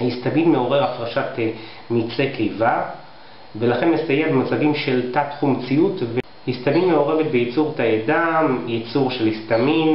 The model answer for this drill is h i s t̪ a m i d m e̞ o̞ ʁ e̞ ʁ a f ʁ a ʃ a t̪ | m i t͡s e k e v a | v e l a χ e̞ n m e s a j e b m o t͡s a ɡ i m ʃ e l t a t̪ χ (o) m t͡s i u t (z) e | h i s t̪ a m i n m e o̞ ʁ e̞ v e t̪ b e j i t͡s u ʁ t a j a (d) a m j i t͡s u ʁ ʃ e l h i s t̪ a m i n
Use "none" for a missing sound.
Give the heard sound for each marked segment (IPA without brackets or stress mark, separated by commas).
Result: u, v, d